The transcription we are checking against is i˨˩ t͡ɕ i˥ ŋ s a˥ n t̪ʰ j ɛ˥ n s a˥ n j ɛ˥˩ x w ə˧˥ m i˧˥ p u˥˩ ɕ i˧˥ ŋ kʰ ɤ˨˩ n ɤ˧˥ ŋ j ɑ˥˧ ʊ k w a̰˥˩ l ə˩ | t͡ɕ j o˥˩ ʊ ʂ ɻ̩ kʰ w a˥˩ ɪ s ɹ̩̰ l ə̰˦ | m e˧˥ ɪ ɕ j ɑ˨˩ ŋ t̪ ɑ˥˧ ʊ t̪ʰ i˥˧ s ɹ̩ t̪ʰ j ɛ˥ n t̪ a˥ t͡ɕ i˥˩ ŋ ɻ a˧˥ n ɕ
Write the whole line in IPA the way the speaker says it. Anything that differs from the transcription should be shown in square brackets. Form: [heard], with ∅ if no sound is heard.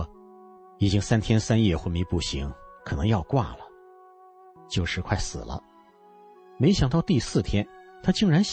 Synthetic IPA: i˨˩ t͡ɕ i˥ ŋ s a˥ n t̪ʰ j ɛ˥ n s a˥ n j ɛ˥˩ x w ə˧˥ m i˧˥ p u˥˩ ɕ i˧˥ ŋ kʰ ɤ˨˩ n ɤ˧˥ ŋ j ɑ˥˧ ʊ k w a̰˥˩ l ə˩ | t͡ɕ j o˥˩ ʊ ʂ ɻ̩ kʰ w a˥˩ ɪ s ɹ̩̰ l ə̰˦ | m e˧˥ ɪ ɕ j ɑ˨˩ ŋ t̪ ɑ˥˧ ʊ [t̪] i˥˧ s ɹ̩ t̪ʰ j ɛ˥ n [t̪ʰ] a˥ t͡ɕ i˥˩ ŋ ɻ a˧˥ n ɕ